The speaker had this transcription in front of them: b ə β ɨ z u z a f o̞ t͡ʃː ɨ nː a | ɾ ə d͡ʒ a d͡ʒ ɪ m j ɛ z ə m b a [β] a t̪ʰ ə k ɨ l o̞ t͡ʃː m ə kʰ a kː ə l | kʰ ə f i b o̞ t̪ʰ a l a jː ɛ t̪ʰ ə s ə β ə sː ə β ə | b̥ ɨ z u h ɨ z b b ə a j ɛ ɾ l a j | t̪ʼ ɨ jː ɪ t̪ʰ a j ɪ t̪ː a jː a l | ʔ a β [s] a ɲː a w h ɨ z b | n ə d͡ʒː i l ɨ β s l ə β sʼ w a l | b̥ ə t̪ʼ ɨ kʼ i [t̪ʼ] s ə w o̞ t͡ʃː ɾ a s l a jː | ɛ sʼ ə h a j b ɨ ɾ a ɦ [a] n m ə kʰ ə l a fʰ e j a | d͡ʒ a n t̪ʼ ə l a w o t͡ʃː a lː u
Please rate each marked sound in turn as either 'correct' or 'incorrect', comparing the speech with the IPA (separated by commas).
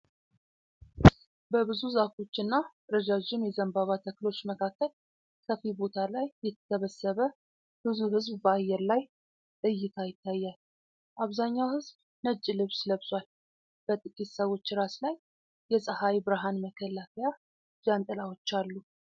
correct, incorrect, incorrect, correct